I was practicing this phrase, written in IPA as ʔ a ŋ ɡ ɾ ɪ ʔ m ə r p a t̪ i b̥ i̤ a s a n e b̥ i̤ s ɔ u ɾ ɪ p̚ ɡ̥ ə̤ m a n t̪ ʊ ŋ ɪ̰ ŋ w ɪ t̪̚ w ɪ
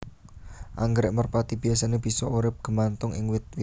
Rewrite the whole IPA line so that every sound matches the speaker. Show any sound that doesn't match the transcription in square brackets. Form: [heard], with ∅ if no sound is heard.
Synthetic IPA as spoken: ʔ a ŋ ɡ ɾ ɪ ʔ m ə r p a t̪ i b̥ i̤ a s a n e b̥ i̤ s ɔ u ɾ ɪ p̚ ɡ̥ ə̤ m a n t̪ ʊ ŋ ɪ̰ ŋ w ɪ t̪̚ w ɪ